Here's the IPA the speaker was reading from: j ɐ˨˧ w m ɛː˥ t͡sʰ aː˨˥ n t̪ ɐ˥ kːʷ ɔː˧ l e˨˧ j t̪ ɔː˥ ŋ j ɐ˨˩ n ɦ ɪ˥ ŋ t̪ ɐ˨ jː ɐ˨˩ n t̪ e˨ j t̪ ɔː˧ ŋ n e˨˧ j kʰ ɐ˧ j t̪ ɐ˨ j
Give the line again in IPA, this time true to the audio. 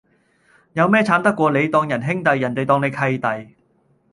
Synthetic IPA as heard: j ɐ˨˧ w m ɛː˥ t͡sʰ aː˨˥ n t̪ ɐ˥ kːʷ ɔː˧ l e˨˧ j t̪ ɔː˧ ŋ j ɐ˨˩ n ɦ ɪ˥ ŋ t̪ ɐ˨ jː ɐ˨˩ n t̪ e˨ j t̪ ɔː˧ ŋ n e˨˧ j kʰ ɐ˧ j t̪ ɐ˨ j